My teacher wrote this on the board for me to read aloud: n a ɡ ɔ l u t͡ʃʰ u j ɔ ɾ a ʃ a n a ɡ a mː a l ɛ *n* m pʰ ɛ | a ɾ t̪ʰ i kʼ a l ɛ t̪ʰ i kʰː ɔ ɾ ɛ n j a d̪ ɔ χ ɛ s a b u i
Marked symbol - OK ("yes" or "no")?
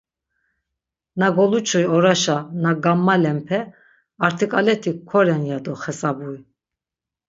no